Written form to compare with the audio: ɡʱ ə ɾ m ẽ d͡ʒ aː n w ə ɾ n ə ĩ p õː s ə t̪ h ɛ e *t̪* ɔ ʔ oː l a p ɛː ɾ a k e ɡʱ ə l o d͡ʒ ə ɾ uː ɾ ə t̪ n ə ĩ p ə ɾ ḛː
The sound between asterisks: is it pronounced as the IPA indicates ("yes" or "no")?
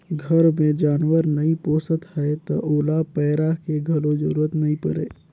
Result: yes